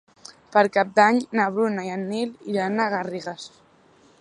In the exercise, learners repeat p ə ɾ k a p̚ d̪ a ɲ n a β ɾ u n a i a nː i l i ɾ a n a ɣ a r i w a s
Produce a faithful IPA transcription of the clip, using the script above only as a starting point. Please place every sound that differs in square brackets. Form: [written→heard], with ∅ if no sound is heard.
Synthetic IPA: p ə ɾ k a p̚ d̪ a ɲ n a β ɾ u n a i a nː i l i ɾ a n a ɣ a r i [w→ɣ] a s

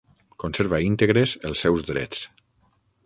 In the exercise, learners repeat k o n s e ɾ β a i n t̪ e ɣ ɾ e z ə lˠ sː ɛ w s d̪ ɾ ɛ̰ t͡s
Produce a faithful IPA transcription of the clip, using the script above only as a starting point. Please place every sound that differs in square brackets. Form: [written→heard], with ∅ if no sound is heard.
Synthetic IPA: k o n s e ɾ β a i n t̪ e ɣ ɾ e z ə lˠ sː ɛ w [s→z] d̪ ɾ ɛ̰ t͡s

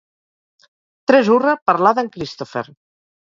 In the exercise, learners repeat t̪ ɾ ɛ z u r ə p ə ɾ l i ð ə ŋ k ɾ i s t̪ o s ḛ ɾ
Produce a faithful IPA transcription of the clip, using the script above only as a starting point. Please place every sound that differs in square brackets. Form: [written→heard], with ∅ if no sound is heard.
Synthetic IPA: t̪ ɾ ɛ z u r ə p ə ɾ l [i→a] ð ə ŋ k ɾ i s t̪ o [s→f] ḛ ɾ

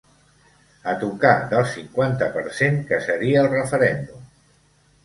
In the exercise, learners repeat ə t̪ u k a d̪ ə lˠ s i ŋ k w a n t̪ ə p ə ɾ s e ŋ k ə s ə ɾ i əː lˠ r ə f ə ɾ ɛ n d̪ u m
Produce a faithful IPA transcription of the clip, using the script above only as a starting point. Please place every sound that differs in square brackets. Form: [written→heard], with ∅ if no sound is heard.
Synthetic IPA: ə t̪ u k a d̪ ə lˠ s i ŋ k w a n t̪ ə p ə ɾ s e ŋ k ə s ə ɾ i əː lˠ r ə f ə ɾ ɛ n d̪ u m

